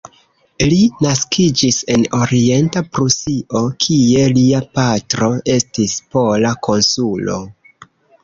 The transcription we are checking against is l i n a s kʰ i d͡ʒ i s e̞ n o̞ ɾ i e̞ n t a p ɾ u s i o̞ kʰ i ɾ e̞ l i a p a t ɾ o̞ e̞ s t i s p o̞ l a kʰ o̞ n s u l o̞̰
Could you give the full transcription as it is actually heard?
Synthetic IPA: l i n a s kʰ i d͡ʒ i s e̞ n o̞ ɾ i e̞ n t a p ɾ u s i o̞ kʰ i e̞ l i a p a t ɾ o̞ e̞ s t i s p o̞ l a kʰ o̞ n s u l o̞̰